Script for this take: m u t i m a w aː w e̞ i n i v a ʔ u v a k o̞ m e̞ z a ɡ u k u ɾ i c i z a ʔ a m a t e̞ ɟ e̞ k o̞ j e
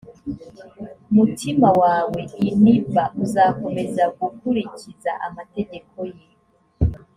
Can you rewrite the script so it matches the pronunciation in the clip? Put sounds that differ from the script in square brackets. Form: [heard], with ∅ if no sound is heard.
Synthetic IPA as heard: m u t i m a w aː w e̞ i n i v a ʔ u [z] a k o̞ m e̞ z a ɡ u k u ɾ i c i z a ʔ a m a t e̞ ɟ e̞ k o̞ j e